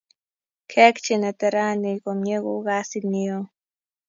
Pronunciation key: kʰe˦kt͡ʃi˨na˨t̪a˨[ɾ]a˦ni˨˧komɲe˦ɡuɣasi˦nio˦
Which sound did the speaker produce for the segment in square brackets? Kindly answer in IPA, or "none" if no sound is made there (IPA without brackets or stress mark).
ɾ